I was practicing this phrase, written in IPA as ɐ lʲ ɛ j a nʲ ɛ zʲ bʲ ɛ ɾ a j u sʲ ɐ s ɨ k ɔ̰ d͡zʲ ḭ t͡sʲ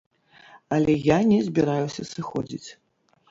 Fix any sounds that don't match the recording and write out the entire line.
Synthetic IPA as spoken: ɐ lʲ ɛ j a nʲ ɛ zʲ bʲ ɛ ɾ a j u sʲ ɐ s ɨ x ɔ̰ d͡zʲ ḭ t͡sʲ